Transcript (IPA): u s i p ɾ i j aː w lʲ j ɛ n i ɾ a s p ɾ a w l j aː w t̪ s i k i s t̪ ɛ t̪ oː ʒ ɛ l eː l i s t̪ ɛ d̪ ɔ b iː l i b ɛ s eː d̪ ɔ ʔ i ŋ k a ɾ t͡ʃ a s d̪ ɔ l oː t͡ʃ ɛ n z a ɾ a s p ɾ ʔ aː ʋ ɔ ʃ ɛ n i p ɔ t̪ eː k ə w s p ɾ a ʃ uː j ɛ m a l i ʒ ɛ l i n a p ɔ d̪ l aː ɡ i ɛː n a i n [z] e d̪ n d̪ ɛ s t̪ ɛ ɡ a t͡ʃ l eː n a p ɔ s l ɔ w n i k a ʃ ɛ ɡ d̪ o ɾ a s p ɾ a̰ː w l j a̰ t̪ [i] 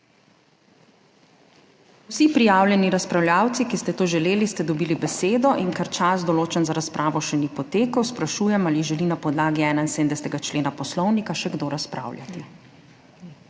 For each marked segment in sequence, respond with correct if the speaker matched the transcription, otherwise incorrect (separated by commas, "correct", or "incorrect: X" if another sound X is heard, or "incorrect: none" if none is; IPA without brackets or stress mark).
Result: incorrect: s, correct